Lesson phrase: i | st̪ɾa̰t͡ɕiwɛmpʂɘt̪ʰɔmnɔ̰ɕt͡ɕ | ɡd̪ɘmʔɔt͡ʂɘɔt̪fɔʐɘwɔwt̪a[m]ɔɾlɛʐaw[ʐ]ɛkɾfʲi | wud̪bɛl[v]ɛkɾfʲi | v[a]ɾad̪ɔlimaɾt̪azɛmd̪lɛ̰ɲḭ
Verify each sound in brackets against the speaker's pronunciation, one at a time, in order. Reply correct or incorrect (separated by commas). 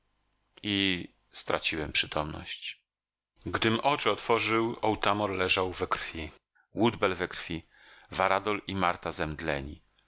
correct, incorrect, correct, correct